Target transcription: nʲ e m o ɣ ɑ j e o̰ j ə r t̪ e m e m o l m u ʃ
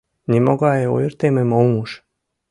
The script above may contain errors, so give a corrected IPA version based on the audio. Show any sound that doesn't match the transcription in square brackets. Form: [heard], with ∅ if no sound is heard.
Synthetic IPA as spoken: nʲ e m o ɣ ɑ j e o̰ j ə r t̪ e m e m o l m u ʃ